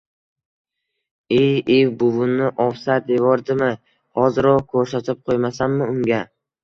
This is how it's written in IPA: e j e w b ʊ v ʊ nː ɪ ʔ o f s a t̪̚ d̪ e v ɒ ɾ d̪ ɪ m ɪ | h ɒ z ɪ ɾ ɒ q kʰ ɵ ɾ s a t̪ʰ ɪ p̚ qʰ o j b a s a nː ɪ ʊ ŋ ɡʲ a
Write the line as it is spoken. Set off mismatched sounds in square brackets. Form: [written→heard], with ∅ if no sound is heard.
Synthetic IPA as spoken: e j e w b ʊ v ʊ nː ɪ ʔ [o→ɒ] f s a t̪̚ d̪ e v ɒ ɾ d̪ ɪ m ɪ | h ɒ z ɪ ɾ ɒ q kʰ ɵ ɾ s a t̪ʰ ɪ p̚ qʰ o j [b→m] a s a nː ɪ ʊ ŋ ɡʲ a